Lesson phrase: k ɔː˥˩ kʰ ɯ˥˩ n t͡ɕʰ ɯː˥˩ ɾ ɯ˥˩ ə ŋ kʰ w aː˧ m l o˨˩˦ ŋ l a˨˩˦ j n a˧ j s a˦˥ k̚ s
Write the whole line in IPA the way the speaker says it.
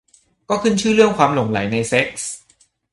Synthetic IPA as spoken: k ɔː˥˩ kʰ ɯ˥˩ n t͡ɕʰ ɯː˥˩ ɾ ɯ˥˩ ə ŋ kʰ w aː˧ m l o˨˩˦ ŋ l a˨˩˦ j n a˧ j s e˦˥ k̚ s